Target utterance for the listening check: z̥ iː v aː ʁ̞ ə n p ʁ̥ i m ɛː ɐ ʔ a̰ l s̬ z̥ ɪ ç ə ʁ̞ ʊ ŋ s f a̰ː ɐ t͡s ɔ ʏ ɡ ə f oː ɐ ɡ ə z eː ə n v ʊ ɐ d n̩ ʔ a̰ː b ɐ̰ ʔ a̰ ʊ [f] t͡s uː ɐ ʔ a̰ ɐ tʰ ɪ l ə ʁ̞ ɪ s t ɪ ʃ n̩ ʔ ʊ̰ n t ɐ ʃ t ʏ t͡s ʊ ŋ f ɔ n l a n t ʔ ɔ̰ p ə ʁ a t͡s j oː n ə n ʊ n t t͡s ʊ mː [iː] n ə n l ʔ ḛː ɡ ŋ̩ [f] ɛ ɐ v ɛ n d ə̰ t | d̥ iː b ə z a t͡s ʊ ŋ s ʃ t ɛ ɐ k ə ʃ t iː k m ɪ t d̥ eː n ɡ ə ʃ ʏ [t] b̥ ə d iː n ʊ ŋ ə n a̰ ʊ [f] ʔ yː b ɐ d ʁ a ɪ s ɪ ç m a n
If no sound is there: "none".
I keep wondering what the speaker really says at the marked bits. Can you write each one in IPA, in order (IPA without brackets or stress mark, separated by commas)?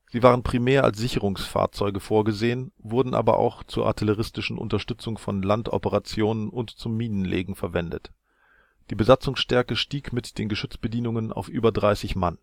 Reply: x, iː, f, t͡s, f